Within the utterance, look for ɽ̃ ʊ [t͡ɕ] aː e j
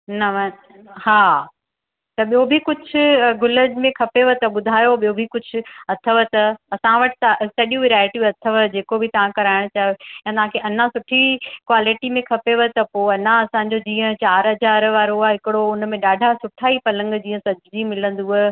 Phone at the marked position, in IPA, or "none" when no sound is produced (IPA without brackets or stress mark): t͡ɕ